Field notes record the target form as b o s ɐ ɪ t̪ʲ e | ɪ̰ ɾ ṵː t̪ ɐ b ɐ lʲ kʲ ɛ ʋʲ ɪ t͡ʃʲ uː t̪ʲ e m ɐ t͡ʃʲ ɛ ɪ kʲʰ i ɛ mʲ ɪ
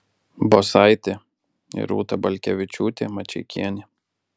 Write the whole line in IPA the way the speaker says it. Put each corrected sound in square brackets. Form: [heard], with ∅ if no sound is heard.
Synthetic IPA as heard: b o s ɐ ɪ t̪ʲ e | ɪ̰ ɾ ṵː t̪ ɐ b ɐ lʲ kʲ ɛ ʋʲ ɪ t͡ʃʲ uː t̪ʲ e m ɐ t͡ʃʲ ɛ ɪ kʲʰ i ɛ [nʲ] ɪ